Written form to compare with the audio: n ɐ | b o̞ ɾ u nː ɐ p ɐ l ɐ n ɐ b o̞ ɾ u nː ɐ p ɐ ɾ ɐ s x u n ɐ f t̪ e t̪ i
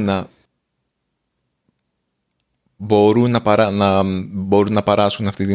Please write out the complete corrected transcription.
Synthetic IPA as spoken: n ɐ | b o̞ ɾ u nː ɐ p ɐ ɾ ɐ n ɐ b o̞ ɾ u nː ɐ p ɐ ɾ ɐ s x u n ɐ f t̪ i t̪ i